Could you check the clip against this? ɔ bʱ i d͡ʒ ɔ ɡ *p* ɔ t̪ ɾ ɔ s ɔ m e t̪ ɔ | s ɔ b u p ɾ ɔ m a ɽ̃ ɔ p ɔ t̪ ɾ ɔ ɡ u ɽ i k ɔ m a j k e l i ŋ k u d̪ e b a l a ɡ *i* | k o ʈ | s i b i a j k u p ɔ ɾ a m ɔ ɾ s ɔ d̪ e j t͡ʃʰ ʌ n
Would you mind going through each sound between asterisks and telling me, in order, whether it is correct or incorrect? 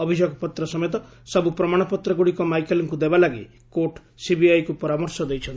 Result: correct, correct

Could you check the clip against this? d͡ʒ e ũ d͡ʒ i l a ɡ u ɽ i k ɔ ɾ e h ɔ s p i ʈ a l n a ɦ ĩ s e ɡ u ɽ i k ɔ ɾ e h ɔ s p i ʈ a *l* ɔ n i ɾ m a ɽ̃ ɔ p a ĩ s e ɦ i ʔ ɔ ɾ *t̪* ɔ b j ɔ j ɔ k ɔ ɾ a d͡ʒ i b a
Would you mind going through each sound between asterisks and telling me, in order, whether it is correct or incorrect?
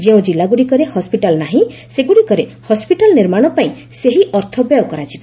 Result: correct, incorrect: t̪ʰ

